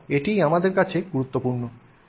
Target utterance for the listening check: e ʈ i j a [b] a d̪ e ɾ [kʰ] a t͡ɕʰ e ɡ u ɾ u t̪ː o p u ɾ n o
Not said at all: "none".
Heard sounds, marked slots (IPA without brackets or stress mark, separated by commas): m, k